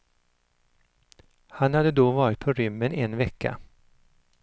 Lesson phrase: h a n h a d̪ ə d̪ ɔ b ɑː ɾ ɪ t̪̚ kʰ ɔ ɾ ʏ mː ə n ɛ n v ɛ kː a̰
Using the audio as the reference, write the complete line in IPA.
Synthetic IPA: h a n h a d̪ ə d̪ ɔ v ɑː ɾ ɪ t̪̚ pʰ ɔ ɾ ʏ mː ə n ɛ n v ɛ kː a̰